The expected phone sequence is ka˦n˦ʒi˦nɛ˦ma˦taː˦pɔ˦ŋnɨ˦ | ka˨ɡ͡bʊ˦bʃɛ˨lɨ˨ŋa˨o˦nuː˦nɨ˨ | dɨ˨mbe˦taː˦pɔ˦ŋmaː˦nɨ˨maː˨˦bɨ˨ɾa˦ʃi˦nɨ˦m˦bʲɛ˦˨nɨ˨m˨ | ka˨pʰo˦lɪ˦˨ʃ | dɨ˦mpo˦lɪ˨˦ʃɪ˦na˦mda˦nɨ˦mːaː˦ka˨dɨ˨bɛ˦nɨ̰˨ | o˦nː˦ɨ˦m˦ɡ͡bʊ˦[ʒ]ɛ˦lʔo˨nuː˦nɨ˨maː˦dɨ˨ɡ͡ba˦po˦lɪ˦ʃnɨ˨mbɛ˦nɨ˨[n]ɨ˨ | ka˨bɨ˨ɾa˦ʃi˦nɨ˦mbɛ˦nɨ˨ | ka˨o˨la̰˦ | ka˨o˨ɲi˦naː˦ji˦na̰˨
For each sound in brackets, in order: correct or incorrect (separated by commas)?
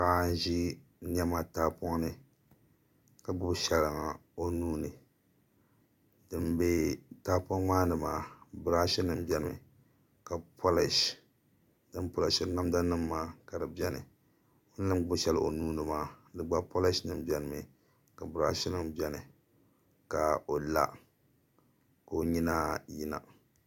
incorrect, incorrect